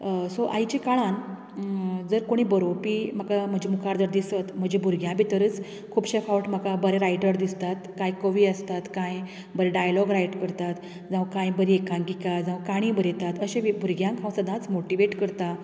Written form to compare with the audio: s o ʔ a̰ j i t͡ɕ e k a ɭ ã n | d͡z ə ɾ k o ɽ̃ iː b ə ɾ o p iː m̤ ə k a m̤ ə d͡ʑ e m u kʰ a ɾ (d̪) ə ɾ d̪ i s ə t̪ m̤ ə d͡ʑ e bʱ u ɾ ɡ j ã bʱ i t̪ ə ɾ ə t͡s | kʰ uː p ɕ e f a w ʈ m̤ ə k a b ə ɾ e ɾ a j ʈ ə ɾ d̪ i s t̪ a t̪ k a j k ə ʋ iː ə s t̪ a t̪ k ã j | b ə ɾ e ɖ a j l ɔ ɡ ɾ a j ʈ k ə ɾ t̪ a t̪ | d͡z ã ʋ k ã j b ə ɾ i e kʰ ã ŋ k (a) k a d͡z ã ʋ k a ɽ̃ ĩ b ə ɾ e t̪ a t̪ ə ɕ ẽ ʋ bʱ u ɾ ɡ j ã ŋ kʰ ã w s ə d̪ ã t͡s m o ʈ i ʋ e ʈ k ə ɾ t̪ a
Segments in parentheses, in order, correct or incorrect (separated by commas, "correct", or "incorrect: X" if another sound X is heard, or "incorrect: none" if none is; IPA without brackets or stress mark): correct, incorrect: i